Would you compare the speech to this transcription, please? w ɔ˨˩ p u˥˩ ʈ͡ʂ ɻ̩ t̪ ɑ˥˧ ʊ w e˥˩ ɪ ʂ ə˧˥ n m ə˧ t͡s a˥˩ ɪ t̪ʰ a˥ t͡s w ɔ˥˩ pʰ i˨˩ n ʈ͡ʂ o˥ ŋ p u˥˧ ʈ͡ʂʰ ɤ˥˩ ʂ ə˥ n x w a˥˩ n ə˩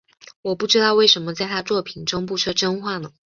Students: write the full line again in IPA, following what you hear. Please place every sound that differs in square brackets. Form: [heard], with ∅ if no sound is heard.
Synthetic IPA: w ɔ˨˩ p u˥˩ ʈ͡ʂ ɻ̩ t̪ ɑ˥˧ ʊ w e˥˩ ɪ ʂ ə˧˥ n m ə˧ t͡s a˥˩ ɪ t̪ʰ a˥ t͡s w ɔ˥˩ pʰ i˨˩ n ʈ͡ʂ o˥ ŋ p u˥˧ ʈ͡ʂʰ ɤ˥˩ [ʈ͡ʂ] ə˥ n x w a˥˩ n ə˩